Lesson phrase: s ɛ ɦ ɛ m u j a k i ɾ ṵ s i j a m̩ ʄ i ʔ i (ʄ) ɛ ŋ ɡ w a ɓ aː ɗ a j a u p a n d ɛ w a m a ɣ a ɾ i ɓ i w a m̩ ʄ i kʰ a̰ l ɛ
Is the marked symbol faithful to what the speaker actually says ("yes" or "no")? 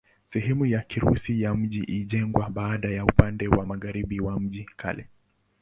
yes